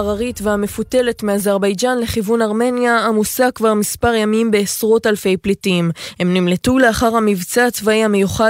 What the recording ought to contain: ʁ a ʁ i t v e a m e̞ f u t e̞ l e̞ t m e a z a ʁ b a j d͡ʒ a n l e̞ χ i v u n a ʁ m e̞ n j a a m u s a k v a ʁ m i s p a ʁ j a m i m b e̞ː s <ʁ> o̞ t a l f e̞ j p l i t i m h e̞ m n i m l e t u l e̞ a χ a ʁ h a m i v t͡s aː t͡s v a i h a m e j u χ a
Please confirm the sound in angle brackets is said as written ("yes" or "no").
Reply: yes